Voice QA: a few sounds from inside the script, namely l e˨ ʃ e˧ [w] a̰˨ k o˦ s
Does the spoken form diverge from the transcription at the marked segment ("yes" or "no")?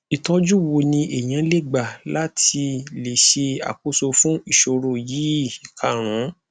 yes